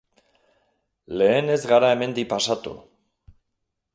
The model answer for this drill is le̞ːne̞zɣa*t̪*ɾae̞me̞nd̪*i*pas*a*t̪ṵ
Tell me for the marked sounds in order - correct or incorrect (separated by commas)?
incorrect, correct, correct